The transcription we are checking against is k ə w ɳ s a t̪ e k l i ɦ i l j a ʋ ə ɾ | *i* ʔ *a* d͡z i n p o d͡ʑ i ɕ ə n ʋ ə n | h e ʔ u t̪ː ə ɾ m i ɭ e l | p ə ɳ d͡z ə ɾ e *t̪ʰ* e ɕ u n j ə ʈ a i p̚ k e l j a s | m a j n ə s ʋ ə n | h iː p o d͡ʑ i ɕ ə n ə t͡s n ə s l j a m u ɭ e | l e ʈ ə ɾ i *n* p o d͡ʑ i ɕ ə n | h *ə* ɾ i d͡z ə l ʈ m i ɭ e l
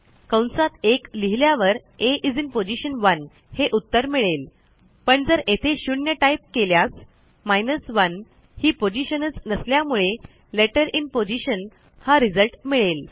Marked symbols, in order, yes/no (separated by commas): no, no, yes, yes, no